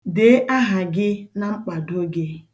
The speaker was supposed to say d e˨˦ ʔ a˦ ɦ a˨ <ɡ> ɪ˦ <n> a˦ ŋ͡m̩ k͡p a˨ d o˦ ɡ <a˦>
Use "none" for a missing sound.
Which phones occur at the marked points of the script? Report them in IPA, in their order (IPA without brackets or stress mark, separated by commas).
ɡ, n, e˦